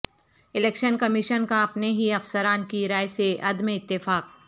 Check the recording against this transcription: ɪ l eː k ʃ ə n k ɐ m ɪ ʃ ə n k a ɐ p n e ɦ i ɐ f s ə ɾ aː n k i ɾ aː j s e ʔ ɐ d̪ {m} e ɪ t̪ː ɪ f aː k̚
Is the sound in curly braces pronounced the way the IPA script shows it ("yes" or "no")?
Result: yes